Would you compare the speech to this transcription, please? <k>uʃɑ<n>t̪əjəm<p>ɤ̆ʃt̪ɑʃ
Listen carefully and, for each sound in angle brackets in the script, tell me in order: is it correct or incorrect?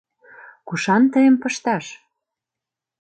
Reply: correct, correct, correct

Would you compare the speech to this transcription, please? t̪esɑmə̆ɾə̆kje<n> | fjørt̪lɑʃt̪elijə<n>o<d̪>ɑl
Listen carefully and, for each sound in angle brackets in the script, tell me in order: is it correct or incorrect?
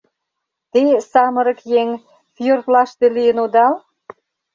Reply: incorrect: ŋ, correct, correct

